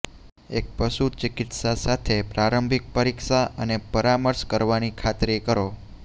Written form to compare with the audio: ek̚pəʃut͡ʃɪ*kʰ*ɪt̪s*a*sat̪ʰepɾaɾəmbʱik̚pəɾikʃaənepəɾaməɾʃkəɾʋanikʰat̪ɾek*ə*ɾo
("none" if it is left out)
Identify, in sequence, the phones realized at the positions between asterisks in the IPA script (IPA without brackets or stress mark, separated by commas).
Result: k, a, ə